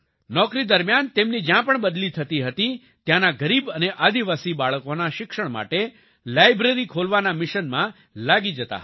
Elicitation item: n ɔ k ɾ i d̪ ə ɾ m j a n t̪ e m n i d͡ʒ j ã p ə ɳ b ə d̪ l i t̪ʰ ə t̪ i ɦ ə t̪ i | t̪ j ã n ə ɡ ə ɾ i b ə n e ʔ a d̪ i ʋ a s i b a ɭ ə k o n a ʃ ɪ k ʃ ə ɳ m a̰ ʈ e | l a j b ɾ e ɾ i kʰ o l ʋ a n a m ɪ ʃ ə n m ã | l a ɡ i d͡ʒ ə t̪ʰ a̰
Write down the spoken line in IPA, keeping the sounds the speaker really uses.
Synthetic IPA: n ɔ k ɾ i d̪ ə ɾ m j a n t̪ e m n i d͡ʒ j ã p ə ɳ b ə d̪ l i t̪ʰ ə t̪ i ɦ ə t̪ i | t̪ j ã n a ɡ ə ɾ i b ə n e ʔ a d̪ i ʋ a s i b a ɭ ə k o n a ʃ ɪ k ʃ ə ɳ m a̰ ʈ e | l a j b ɾ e ɾ i kʰ o l ʋ a n a m ɪ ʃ ə n m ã | l a ɡ i d͡ʒ ə t̪ a̰